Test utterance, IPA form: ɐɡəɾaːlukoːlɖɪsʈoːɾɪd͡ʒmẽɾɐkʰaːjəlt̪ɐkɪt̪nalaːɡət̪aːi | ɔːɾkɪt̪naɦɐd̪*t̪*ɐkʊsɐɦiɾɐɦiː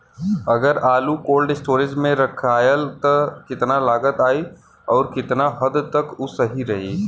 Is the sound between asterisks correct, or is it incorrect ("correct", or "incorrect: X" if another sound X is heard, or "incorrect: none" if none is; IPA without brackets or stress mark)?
correct